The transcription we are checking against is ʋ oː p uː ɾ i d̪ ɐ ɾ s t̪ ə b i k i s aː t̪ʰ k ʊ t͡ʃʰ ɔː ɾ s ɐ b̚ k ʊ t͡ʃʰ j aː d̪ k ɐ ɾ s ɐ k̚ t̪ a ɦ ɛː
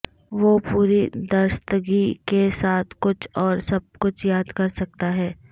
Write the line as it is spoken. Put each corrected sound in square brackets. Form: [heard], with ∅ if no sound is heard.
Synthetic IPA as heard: ʋ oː p uː ɾ i d̪ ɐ ɾ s t̪ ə [ɡ] i k [e] s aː t̪ʰ k ʊ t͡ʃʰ ɔː ɾ s ɐ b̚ k ʊ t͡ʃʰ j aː d̪ k ɐ ɾ s ɐ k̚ t̪ a ɦ ɛː